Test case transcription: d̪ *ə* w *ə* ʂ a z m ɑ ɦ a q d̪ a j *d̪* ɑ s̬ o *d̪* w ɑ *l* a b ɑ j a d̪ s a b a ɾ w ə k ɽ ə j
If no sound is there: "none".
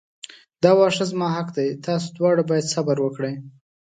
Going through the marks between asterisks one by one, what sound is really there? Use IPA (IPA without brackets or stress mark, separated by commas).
ɑ, ɑ, t̪, d̪, ɽ